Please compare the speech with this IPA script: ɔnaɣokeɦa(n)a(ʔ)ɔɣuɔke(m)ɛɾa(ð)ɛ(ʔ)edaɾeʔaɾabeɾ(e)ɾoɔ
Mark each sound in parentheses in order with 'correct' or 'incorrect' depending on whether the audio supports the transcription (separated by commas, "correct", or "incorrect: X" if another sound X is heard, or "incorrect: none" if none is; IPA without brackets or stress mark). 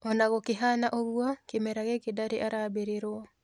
correct, correct, correct, incorrect: ɣ, incorrect: k, correct